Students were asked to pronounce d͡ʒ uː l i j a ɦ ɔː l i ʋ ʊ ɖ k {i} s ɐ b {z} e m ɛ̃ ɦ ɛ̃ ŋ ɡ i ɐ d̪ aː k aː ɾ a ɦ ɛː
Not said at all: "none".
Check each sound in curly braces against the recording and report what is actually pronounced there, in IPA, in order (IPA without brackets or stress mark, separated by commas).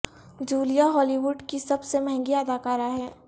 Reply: i, s